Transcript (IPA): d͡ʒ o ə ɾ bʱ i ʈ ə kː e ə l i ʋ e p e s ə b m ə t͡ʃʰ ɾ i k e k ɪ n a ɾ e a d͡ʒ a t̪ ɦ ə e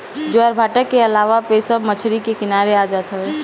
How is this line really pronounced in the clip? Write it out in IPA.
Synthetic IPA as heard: d͡ʒ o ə ɾ bʱ a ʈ ə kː e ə l a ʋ a p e s ə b m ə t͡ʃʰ ɾ i k e k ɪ n a ɾ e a d͡ʒ a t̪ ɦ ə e

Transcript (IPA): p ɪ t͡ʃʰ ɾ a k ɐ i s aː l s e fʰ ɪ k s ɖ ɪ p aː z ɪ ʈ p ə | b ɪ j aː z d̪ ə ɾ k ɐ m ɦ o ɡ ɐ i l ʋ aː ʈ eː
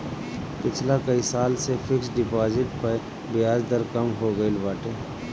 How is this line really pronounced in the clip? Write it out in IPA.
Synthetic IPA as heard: p ɪ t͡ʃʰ l a k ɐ i s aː l s e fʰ ɪ k s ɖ ɪ p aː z ɪ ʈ p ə | b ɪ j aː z d̪ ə ɾ k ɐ m ɦ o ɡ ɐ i l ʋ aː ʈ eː

